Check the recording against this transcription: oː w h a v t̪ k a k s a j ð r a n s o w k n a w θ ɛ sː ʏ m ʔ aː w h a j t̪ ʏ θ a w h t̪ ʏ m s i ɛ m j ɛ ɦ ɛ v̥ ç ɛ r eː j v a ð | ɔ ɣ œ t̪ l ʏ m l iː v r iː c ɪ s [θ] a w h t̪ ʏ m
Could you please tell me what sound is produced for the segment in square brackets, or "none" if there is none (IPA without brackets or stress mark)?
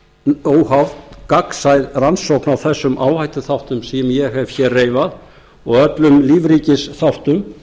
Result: θ